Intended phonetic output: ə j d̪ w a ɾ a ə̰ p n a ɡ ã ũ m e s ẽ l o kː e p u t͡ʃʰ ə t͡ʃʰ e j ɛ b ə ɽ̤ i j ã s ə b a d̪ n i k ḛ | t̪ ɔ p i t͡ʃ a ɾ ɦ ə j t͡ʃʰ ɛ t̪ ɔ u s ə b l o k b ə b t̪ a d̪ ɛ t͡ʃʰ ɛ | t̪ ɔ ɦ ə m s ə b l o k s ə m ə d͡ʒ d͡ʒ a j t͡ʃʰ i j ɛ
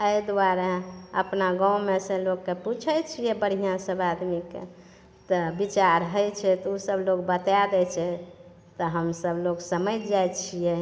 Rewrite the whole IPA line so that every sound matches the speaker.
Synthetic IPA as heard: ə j d̪ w a ɾ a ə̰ p n a ɡ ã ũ m e s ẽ l o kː e p u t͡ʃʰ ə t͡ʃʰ i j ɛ b ə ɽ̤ i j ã s ə b a d̪ m i k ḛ | t̪ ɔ b i t͡ʃ a ɾ ɦ ə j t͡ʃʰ ɛ t̪ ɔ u s ə b l o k b ə t̪ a d̪ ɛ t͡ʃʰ ɛ | t̪ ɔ ɦ ə m s ə b l o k s ə m ə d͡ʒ d͡ʒ a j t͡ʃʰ i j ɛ